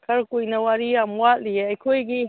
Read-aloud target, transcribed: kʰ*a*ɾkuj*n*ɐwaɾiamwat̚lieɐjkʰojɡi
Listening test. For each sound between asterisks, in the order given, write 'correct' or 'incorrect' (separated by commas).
incorrect, correct